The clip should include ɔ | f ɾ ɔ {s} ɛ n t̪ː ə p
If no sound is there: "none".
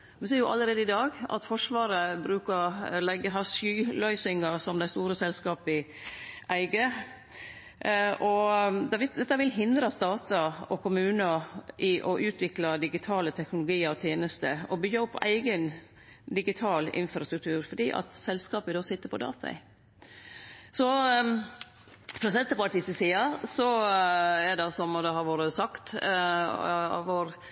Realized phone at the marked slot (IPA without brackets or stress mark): s